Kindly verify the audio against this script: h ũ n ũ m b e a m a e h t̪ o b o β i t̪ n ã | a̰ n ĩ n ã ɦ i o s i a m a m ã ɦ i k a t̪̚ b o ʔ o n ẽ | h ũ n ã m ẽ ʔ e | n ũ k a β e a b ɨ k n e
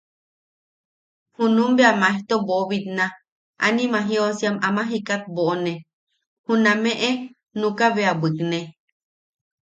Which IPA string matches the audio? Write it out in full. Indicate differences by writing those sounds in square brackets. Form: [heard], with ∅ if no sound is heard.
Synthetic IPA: h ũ n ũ m b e a m a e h t̪ o b o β i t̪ n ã | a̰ n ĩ [m] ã ɦ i o s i a m a m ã ɦ i k a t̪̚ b o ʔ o n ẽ | h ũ n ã m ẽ ʔ e | n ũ k a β e a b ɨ k n e